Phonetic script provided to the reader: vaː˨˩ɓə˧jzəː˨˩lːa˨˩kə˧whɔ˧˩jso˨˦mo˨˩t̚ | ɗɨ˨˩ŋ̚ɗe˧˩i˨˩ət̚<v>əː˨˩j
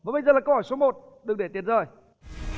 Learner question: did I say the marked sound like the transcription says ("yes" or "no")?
no